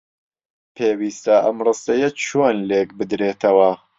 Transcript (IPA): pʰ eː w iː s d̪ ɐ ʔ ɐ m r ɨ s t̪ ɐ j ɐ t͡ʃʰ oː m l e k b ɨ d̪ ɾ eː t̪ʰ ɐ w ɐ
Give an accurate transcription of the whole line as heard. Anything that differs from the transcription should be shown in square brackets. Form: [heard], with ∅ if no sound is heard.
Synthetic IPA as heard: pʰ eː w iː s [t̪] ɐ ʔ ɐ m r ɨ s t̪ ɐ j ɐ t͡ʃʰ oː [n] l e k b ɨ d̪ ɾ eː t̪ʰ ɐ w ɐ